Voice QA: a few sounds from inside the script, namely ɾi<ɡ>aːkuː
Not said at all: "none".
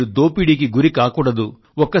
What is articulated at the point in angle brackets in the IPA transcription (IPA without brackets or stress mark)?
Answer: k